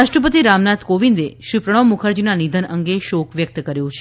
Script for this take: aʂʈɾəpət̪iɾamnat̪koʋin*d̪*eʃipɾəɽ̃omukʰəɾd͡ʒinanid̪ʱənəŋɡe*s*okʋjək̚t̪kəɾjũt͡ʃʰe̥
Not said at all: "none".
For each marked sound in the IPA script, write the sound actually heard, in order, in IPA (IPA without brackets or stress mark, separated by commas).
d̪, ʃ